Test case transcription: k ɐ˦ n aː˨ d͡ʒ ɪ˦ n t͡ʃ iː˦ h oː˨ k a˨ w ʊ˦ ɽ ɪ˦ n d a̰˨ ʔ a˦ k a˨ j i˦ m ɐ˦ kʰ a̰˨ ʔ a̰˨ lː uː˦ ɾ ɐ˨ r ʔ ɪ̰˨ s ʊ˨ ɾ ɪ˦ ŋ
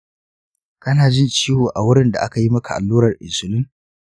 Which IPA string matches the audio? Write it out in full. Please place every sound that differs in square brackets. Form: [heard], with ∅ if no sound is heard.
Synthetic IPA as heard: k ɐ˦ n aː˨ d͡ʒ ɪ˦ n t͡ʃ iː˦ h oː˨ [ʔ] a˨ w ʊ˦ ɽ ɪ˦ n d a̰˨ ʔ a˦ k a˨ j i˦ m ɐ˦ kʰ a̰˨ ʔ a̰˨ lː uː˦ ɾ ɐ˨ r ʔ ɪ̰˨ s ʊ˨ [l] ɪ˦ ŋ